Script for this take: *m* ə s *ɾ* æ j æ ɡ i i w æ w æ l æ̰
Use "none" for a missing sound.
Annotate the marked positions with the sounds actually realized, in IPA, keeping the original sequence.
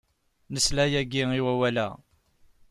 n, l

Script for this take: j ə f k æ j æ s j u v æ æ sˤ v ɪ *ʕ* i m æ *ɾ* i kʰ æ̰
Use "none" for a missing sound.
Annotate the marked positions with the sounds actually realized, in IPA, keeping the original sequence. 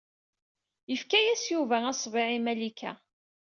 ʕ, l

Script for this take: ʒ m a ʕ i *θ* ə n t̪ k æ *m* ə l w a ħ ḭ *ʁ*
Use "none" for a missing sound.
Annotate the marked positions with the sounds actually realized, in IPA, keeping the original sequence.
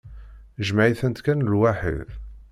θ, n, ð

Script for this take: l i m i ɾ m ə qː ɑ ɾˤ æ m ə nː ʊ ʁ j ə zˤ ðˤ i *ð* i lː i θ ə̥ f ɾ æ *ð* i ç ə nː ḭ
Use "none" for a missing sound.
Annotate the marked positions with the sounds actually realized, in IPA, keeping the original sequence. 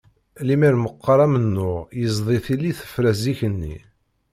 θ, z

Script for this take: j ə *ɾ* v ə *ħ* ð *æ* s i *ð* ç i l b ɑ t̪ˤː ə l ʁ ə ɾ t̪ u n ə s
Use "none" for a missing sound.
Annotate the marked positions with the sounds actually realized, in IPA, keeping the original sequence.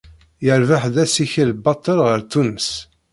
ɾ, ħ, æ, none

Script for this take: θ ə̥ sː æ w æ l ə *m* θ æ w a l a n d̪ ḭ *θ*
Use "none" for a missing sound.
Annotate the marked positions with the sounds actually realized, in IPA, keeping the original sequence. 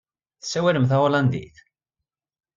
m, θ

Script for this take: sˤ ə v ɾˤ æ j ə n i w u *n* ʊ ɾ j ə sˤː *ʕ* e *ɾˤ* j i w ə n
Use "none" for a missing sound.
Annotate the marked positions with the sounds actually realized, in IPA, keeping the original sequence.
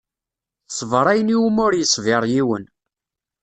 m, v, ɾˤ

